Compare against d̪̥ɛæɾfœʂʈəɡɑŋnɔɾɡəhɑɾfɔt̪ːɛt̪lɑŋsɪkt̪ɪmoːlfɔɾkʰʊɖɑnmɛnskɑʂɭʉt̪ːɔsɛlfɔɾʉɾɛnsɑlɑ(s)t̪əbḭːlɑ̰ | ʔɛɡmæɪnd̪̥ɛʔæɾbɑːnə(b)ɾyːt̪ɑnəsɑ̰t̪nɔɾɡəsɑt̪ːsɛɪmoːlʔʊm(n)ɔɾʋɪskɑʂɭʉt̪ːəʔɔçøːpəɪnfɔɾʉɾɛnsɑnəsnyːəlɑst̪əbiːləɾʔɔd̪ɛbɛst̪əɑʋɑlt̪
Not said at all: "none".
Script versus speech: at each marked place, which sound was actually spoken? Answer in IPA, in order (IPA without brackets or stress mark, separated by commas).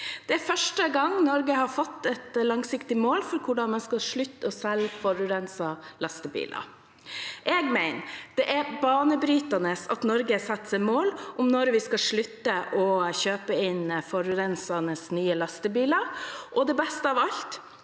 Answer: s, b, n